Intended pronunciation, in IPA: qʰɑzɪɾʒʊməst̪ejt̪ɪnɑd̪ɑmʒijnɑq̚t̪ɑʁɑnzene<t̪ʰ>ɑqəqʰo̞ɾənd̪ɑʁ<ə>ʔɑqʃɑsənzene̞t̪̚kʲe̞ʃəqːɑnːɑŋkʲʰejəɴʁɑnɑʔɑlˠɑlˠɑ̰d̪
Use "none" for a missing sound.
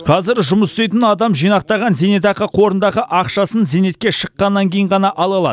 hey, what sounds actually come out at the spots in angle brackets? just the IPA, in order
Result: t̪, ə

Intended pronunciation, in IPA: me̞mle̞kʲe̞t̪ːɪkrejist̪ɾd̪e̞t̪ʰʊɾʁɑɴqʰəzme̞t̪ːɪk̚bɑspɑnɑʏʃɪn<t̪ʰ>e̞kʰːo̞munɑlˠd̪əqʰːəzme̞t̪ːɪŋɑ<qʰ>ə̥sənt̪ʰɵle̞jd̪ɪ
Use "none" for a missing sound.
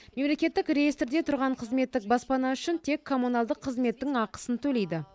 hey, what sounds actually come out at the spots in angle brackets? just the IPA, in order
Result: t̪ʰ, q

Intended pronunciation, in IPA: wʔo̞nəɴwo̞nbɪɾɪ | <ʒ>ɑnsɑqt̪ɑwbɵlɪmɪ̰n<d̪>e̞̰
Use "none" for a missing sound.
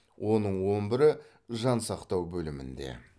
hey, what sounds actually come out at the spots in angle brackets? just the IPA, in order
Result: ʒ, d̪

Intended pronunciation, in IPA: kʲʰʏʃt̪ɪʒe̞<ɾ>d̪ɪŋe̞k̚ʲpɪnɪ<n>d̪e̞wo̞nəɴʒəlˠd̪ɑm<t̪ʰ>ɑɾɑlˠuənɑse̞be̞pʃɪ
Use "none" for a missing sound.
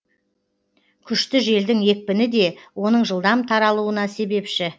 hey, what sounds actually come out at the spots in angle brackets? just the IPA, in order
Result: l, none, t̪ʰ

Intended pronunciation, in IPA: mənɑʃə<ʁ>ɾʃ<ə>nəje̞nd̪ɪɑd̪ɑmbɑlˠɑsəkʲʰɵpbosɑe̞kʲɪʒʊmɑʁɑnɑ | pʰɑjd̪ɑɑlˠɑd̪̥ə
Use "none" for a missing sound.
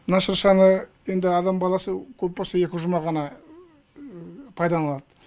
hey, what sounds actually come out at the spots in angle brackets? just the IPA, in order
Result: none, ɑ

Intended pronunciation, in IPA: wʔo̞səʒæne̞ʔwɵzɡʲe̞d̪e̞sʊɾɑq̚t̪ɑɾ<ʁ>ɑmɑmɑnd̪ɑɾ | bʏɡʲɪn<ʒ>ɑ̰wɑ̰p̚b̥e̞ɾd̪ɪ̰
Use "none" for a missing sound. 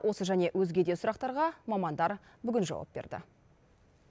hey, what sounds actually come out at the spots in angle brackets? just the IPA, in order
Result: ʁ, ʒ

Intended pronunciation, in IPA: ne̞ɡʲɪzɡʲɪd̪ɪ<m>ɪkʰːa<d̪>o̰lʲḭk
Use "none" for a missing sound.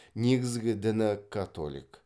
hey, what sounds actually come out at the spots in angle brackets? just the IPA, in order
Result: n, t̪

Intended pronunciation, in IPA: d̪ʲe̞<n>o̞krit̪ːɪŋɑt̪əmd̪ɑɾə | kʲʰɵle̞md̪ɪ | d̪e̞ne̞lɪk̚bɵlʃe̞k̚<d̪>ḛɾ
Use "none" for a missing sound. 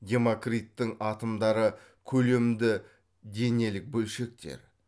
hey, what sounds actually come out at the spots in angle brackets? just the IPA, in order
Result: m, t̪

